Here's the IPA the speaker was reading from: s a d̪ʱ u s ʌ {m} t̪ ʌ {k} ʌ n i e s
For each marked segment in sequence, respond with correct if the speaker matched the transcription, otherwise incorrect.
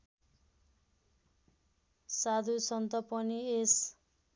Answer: incorrect: n, incorrect: p

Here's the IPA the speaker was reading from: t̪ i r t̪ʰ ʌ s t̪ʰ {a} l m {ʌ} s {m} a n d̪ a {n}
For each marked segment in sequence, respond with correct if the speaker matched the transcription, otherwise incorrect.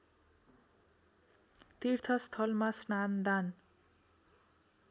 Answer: incorrect: ʌ, incorrect: a, incorrect: n, correct

